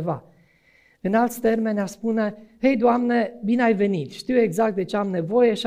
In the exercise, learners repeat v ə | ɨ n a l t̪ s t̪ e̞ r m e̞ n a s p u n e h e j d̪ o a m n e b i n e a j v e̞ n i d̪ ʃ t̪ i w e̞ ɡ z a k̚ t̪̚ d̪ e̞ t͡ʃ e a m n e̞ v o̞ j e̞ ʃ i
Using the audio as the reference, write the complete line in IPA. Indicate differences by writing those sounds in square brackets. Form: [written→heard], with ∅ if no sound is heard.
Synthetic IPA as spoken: v [ə→a] | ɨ n a l t̪ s t̪ e̞ r m e̞ n a s p u n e h e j d̪ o a m n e b i n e a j v e̞ n i [d̪→t̪] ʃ t̪ i w e̞ ɡ z a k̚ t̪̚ d̪ e̞ t͡ʃ e a m n e̞ v o̞ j e̞ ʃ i